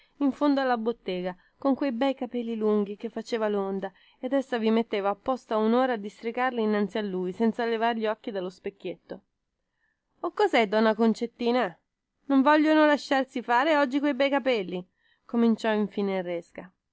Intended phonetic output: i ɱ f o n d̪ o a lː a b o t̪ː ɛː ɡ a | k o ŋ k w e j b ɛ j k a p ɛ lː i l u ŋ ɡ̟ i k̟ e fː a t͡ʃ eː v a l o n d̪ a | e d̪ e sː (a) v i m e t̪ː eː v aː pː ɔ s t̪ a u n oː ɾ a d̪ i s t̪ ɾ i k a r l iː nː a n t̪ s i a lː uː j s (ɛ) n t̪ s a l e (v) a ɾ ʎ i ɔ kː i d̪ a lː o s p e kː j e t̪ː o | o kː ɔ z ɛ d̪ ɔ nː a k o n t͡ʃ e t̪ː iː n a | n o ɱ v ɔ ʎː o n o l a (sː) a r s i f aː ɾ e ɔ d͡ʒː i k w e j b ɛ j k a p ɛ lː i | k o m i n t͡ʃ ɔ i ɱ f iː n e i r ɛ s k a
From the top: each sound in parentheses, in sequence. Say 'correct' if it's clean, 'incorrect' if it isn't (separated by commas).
correct, correct, correct, incorrect